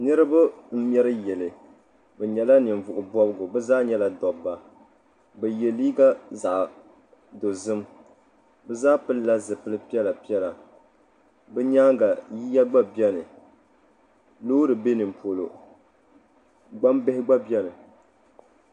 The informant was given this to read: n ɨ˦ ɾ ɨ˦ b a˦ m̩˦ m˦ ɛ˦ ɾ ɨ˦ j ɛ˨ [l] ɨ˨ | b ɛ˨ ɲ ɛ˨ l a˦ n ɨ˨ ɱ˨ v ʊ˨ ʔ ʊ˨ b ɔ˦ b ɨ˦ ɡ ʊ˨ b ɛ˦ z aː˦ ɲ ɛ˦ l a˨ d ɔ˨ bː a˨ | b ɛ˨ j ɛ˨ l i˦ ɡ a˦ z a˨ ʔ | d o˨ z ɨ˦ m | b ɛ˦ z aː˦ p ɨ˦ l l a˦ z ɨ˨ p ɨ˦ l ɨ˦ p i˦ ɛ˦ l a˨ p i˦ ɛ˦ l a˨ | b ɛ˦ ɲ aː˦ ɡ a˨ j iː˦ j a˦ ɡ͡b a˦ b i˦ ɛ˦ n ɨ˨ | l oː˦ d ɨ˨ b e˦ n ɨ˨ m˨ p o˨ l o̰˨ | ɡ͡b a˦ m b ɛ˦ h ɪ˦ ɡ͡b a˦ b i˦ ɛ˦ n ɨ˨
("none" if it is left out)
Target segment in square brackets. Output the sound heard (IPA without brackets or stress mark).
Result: l